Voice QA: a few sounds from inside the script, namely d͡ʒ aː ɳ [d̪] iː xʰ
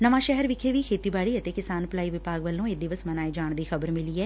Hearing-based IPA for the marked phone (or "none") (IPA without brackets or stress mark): d̪